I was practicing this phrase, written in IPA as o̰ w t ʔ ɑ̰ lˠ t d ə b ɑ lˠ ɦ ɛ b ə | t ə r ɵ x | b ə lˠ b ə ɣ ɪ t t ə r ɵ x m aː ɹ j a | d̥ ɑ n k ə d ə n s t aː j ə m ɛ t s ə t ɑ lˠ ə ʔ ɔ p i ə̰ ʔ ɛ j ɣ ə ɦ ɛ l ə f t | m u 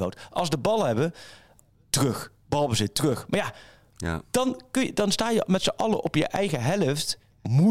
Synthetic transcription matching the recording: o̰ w t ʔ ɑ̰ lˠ s d ə b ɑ lˠ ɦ ɛ b ə | t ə r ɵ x | b ɑ lˠ b ə z ɪ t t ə r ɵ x m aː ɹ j a | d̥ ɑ n k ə d ɑ n s t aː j ə m ɛ t s ə ʔ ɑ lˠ ə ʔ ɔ p j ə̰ ʔ ɛ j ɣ ə ɦ ɛ l ə f t | m u